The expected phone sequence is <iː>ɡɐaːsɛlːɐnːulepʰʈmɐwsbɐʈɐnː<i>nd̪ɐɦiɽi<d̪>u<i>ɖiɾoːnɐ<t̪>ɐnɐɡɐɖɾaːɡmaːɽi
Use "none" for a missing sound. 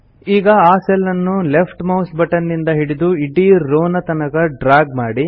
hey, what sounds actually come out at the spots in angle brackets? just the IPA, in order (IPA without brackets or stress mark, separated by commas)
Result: iː, i, d̪, i, t̪